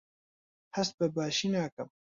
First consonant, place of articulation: glottal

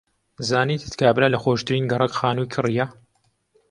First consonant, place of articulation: alveolar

